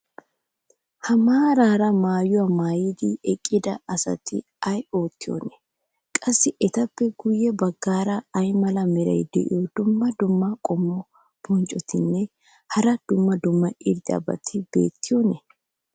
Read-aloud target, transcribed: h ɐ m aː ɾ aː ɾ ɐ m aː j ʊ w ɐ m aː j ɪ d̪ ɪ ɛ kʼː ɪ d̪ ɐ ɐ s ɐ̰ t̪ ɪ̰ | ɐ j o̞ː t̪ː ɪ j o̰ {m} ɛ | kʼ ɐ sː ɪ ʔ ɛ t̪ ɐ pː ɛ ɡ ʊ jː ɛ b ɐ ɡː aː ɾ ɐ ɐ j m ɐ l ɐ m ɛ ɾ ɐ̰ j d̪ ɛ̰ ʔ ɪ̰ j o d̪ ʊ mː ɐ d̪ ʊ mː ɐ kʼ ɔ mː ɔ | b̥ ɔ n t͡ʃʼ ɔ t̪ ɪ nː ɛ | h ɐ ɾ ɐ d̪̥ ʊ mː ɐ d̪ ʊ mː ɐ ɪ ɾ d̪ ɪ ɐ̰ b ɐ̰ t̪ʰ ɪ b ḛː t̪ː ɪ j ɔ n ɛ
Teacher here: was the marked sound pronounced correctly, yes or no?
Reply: no